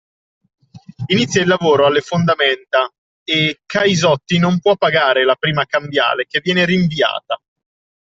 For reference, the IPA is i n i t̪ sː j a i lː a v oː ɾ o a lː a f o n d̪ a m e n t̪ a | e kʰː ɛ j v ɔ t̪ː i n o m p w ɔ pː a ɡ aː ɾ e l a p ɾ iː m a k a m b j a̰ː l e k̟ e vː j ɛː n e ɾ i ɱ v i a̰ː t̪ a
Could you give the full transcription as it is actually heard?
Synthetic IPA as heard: i n i t̪ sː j a i lː a v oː ɾ o a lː e f o n d̪ a m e n t̪ a | e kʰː a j z ɔ t̪ː i n o m p w ɔ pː a ɡ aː ɾ e l a p ɾ iː m a k a m b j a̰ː l e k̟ e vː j ɛː n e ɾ i ɱ v i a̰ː t̪ a